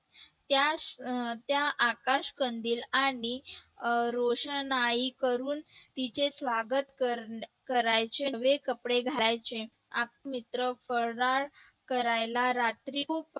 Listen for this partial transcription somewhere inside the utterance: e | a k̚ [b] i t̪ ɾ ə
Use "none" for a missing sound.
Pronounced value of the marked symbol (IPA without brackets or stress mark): m